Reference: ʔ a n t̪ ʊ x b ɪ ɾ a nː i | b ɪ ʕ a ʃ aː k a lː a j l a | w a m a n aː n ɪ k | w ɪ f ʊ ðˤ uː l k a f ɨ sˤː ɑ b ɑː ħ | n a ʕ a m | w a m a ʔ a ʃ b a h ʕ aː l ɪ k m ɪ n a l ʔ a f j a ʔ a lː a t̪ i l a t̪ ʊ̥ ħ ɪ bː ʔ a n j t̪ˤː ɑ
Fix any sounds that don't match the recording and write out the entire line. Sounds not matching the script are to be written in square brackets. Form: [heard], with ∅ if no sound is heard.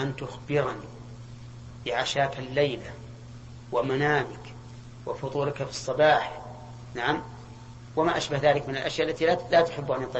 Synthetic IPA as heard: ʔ a n t̪ ʊ x b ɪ ɾ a [n] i | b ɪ ʕ a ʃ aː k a lː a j l a | w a m a n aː [m] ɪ k | w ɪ f ʊ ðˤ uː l k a f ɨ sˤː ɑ b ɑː ħ | n a ʕ a m | w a m a ʔ a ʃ b a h [ð] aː l ɪ k m ɪ n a l ʔ a [ʃ] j a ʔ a lː a t̪ i l a t̪ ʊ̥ ħ ɪ bː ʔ a n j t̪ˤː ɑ